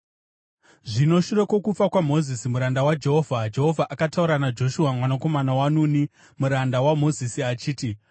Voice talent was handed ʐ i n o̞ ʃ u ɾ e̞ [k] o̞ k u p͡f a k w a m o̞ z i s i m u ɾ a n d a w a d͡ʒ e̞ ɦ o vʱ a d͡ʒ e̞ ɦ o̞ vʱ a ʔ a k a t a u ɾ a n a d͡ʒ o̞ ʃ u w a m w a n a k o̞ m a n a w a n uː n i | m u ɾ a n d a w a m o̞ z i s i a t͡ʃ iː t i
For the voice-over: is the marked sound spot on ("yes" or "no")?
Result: yes